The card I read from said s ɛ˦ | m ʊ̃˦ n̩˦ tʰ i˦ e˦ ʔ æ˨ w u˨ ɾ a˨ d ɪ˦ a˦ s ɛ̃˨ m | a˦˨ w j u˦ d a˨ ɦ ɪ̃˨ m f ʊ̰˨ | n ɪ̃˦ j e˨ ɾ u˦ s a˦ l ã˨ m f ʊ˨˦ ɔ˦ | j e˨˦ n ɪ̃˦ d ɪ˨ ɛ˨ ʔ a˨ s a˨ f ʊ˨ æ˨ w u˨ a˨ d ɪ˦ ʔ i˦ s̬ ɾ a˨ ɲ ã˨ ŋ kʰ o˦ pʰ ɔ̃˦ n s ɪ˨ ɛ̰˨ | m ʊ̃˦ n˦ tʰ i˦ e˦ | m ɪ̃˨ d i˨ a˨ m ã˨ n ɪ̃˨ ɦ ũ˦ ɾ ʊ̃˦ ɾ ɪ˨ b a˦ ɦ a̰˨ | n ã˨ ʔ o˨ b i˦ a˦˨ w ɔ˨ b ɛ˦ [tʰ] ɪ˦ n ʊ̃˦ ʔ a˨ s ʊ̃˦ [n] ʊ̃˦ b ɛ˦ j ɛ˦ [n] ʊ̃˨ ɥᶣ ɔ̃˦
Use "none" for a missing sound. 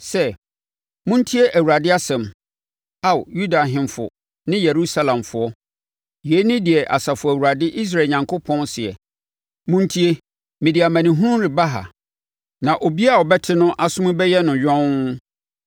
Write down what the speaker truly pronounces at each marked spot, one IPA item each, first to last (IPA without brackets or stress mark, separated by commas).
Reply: tʰ, m, n